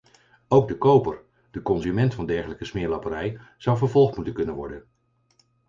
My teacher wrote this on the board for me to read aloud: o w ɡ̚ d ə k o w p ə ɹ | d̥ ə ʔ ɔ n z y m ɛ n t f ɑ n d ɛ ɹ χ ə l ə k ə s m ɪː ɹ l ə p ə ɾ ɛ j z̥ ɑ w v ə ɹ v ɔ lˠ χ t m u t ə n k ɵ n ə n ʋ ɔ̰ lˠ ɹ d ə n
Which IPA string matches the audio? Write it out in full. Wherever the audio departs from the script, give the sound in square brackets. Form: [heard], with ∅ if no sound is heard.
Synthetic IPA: o w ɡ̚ d ə k o w p ə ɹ | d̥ ə [k] ɔ n z y m ɛ n t f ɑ n d ɛ ɹ χ ə l ə k ə s m ɪː ɹ l [ɑ] p ə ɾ ɛ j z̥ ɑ w v ə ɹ v ɔ lˠ χ t m u t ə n k ɵ n ə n ʋ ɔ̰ [∅] ɹ d ə n